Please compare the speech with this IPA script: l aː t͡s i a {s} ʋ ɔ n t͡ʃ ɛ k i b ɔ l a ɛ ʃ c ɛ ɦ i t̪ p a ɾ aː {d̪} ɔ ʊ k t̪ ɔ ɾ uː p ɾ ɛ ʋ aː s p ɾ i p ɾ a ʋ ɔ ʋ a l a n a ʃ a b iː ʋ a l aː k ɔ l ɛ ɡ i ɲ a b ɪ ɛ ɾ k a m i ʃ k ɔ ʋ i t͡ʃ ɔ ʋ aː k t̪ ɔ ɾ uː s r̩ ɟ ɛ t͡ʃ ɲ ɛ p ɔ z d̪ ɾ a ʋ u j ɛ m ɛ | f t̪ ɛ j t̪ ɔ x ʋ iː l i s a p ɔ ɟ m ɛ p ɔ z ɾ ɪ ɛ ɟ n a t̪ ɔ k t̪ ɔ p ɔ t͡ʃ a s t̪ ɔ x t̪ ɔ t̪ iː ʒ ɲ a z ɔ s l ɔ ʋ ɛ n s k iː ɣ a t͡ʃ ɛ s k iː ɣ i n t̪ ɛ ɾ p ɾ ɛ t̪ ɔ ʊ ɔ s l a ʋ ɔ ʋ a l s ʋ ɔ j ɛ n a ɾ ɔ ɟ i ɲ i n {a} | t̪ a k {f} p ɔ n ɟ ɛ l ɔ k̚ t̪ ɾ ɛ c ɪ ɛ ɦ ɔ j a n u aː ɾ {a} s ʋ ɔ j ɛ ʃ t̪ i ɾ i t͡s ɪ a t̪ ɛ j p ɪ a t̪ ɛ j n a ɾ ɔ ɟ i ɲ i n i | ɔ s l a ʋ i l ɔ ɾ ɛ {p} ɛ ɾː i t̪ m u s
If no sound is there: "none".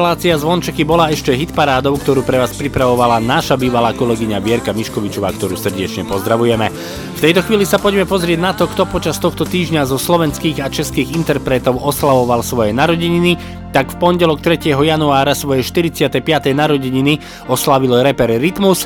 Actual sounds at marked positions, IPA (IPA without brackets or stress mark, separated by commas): z, d̪, i, f, a, p